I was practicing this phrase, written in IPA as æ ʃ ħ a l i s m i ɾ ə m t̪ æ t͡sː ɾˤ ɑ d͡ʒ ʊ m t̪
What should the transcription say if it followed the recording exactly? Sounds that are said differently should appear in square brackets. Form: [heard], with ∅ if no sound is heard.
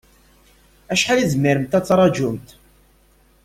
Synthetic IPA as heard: æ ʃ ħ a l i [z] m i ɾ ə m t̪ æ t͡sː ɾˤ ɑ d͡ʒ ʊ m t̪